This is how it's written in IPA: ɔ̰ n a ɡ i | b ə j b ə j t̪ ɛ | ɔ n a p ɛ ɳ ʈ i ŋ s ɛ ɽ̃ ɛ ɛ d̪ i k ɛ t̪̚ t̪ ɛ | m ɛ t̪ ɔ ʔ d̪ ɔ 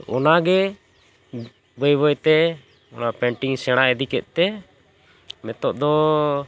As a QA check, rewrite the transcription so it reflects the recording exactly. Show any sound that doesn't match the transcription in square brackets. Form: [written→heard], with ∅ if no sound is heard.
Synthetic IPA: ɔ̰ n a ɡ [i→ɛ] | b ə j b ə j t̪ ɛ | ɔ n a p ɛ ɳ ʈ i ŋ s ɛ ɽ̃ [ɛ→a] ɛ d̪ i k ɛ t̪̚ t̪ ɛ | m ɛ t̪ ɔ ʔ d̪ ɔ